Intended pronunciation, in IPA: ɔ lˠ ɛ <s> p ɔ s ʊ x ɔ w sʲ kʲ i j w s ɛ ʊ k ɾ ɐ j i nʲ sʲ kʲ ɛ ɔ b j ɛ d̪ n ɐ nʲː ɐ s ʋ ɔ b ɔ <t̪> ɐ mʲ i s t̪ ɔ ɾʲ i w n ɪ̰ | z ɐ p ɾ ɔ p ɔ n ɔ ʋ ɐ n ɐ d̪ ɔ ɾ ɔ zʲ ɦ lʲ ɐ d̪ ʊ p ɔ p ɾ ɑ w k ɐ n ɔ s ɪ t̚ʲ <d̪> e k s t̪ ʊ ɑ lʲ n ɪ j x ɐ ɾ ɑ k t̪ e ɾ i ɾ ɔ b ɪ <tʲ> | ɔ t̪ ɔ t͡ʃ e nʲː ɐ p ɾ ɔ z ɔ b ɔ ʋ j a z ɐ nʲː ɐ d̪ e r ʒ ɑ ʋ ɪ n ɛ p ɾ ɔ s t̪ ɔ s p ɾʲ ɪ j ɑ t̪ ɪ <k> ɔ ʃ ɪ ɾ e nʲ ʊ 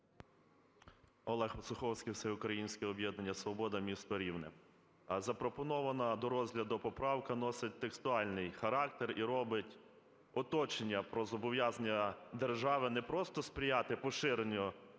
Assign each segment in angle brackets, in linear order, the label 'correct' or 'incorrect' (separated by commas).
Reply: incorrect, incorrect, incorrect, correct, incorrect